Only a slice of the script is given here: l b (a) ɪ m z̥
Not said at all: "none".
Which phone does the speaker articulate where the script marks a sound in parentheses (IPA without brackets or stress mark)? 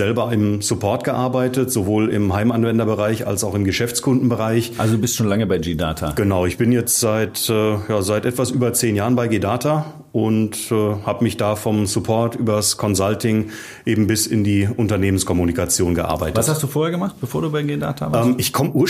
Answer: ɐ